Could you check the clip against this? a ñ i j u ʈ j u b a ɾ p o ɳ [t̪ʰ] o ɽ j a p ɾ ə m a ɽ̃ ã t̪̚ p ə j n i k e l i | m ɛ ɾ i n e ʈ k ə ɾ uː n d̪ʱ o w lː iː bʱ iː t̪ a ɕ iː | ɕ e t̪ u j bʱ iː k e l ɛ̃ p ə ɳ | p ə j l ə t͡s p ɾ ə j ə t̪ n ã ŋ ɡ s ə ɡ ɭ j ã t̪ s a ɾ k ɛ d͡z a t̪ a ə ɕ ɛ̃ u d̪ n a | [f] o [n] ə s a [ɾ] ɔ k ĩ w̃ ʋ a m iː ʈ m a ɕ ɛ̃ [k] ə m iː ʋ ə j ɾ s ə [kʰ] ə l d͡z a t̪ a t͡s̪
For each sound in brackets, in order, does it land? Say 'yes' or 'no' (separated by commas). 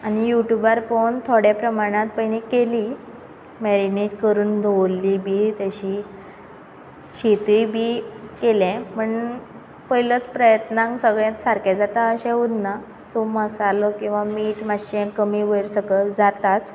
yes, no, no, no, yes, no